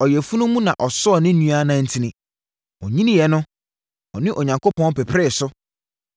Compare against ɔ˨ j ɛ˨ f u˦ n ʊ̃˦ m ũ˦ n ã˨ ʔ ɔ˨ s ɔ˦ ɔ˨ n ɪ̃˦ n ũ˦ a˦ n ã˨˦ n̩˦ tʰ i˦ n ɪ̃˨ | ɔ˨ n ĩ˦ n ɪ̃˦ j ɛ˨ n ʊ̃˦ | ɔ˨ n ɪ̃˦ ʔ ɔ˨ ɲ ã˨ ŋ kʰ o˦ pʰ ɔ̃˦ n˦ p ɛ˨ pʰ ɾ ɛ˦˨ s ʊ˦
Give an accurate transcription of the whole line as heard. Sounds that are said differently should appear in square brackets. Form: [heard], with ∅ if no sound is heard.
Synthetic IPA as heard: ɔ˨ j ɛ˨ f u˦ n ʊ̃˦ m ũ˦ n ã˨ ʔ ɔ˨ s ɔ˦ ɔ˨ n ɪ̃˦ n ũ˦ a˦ n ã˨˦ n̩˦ tʰ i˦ n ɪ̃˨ | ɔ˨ [ɲ] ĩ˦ n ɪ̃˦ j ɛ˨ n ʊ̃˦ | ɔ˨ n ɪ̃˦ ʔ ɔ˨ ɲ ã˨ ŋ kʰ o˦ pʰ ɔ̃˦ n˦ p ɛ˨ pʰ ɾ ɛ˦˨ s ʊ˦